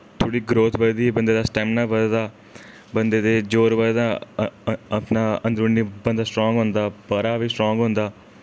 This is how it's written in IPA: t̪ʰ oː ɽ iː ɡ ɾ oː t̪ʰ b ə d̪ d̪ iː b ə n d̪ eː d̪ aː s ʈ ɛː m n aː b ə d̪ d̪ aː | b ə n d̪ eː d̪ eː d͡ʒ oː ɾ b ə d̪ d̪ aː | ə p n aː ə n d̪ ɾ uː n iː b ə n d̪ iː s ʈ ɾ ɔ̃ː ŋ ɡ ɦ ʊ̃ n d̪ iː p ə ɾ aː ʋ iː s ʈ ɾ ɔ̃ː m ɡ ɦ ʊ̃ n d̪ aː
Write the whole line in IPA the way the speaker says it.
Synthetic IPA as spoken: t̪ʰ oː ɽ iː ɡ ɾ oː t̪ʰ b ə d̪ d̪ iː b ə n d̪ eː d̪ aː s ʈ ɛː m n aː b ə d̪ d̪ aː | b ə n d̪ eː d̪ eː d͡ʒ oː ɾ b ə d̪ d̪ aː | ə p n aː ə n d̪ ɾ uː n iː b ə n d̪ aː s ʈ ɾ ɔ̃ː ŋ ɡ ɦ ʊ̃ n d̪ aː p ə ɾ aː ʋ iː s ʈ ɾ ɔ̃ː ŋ ɡ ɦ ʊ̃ n d̪ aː